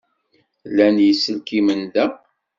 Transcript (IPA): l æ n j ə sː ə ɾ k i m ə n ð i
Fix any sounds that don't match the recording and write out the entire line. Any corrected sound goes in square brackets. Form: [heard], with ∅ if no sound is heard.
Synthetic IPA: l æ n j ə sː ə [l] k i m ə n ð [æ]